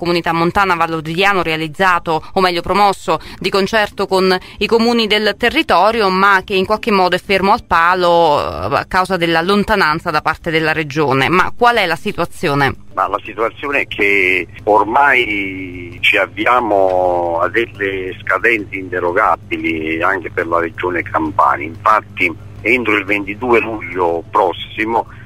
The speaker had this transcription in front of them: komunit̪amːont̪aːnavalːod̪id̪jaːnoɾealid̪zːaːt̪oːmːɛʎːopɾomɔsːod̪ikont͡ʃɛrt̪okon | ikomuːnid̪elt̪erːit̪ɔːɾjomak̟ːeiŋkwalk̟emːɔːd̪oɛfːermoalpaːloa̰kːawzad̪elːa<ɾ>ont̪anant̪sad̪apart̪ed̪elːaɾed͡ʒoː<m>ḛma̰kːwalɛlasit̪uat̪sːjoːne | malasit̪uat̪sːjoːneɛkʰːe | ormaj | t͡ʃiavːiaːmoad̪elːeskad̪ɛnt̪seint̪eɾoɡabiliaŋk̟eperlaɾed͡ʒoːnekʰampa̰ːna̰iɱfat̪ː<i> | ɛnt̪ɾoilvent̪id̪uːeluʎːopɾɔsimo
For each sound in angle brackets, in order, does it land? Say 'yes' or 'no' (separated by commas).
no, no, yes